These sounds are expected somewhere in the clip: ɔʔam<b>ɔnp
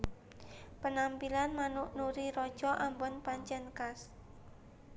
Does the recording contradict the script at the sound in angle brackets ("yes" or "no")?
no